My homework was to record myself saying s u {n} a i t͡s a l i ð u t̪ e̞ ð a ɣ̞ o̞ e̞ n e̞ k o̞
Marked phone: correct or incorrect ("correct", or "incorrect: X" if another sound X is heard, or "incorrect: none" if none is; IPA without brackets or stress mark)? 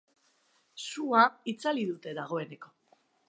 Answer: incorrect: none